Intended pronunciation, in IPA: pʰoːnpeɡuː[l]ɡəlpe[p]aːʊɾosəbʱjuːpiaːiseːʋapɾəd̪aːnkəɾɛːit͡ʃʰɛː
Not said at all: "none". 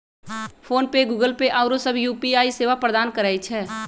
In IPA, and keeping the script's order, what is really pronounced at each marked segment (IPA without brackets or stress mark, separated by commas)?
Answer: none, ʔ